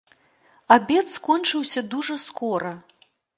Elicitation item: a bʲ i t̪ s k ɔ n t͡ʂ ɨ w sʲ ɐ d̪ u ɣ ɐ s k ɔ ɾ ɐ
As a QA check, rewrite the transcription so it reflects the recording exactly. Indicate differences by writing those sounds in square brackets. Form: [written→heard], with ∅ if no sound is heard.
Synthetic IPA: a bʲ [i→ɛ] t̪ s k ɔ n t͡ʂ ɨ w sʲ ɐ d̪ u [ɣ→ʐ] ɐ s k ɔ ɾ ɐ